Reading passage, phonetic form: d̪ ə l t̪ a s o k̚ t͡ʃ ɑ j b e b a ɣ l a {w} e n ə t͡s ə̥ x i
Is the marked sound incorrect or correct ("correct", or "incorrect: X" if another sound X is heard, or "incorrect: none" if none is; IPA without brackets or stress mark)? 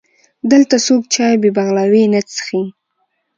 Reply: correct